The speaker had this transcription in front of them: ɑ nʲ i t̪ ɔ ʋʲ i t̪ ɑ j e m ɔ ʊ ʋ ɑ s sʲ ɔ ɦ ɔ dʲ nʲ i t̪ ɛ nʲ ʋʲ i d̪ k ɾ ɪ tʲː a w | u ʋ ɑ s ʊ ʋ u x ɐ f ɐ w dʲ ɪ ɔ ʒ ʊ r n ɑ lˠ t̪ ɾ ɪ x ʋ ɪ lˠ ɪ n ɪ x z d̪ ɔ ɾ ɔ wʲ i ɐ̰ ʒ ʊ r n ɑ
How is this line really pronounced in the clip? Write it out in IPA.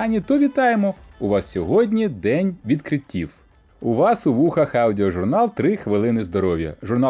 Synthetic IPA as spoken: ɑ nʲ i t̪ ɔ ʋʲ i t̪ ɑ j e m ɔ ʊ ʋ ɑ s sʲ ɔ ɦ ɔ dʲ nʲ i d̪ ɛ nʲ ʋʲ i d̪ k ɾ ɪ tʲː i w | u ʋ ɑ s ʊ ʋ u x ɐ x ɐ w dʲ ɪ ɔ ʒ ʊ r n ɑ lˠ t̪ ɾ ɪ x ʋ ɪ lˠ ɪ n ɪ z d̪ ɔ ɾ ɔ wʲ j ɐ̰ ʒ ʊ r n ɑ